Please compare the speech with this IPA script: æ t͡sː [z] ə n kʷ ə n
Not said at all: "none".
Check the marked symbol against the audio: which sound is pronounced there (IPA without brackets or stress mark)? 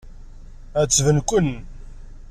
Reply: v